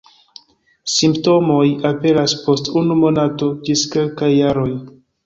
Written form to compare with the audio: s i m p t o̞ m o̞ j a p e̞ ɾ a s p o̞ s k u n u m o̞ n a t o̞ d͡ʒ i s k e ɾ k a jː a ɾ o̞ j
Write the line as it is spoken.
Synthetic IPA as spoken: s i m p t o̞ m o̞ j a p e̞ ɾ a s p o̞ s t u n u m o̞ n a t o̞ d͡ʒ i s k e l k a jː a ɾ o̞ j